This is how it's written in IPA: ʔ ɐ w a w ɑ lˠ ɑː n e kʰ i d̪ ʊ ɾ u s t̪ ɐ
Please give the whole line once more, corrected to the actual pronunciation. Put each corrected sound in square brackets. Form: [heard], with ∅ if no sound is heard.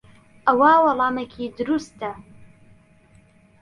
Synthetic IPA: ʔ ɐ w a w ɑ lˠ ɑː [m] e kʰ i d̪ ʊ ɾ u s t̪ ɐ